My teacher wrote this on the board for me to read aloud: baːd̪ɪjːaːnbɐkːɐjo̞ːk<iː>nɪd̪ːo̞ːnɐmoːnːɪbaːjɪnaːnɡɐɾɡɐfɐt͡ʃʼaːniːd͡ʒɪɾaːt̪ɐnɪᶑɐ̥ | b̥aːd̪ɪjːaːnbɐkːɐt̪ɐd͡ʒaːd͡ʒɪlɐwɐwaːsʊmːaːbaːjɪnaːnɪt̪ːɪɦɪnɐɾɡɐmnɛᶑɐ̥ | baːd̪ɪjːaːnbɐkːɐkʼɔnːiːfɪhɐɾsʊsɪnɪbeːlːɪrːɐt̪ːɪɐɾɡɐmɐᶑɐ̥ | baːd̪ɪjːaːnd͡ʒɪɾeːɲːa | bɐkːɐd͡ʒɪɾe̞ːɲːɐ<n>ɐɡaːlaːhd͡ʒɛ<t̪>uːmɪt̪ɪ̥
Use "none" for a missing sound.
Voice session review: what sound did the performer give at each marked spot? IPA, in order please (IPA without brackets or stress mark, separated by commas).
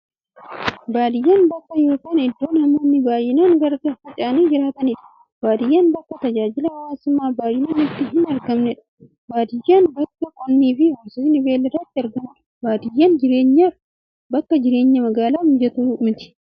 aː, m, t̪